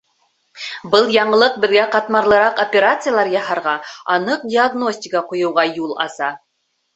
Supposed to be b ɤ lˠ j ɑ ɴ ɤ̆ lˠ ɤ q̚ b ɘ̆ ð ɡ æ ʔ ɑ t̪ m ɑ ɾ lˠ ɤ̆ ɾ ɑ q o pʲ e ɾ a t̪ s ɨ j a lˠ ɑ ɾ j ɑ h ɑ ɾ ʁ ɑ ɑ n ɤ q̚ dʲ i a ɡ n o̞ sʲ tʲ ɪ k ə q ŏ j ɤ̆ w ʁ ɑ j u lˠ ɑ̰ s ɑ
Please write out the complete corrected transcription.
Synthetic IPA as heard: b ɤ lˠ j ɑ ɴ ɤ̆ lˠ ɤ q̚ b ɘ̆ ð ɡ æ q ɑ t̪ m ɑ ɾ lˠ ɤ̆ ɾ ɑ q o pʲ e ɾ a t̪ s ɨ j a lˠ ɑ ɾ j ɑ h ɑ ɾ ʁ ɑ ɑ n ɤ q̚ dʲ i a ɡ n o̞ sʲ tʲ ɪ k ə q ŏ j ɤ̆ w ʁ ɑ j u lˠ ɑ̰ s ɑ